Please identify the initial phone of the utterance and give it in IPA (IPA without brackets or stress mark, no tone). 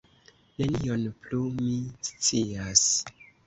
n